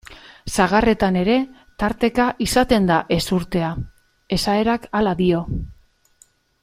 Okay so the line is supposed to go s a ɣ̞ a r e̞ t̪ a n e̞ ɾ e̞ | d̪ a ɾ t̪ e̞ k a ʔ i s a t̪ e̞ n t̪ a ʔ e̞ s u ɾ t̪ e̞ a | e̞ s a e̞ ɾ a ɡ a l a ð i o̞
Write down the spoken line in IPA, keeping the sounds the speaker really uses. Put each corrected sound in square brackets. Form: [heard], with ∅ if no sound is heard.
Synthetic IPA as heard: s a ɣ̞ a r e̞ t̪ a n e̞ ɾ e̞ | [t̪] a ɾ t̪ e̞ k a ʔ i s a t̪ e̞ n [d̪] a ʔ e̞ s u ɾ t̪ e̞ a | e̞ s a e̞ ɾ a [k] a l a ð i o̞